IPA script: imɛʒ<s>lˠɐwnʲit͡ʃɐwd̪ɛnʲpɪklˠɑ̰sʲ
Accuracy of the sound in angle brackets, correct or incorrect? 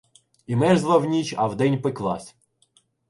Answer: incorrect